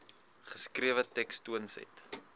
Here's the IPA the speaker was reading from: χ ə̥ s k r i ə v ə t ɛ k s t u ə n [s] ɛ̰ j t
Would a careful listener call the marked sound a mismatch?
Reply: no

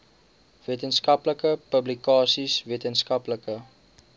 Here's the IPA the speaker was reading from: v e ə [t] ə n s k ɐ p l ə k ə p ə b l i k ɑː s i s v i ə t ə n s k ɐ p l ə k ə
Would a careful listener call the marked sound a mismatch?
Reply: no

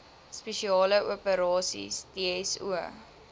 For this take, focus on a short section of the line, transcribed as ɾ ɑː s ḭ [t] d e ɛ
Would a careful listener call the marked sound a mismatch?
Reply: yes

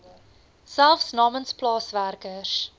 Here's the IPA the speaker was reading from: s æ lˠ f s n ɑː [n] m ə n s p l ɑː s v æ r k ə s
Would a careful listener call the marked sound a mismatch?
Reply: yes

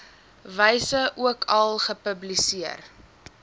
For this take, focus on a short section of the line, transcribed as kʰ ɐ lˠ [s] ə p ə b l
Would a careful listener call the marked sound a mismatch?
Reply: yes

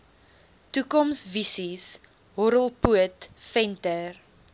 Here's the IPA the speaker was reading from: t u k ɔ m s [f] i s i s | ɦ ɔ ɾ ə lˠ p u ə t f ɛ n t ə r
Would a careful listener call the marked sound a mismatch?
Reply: yes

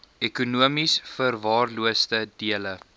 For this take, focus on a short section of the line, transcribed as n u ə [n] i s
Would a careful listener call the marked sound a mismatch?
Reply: yes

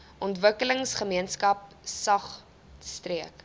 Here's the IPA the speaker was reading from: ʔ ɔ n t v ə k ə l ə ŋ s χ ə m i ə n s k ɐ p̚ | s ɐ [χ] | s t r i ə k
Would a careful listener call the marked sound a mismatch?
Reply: no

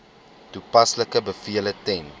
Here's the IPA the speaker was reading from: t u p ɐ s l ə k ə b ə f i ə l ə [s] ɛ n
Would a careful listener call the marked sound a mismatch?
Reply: yes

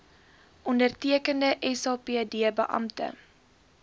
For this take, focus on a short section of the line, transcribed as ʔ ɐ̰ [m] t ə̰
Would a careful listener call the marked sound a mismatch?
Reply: no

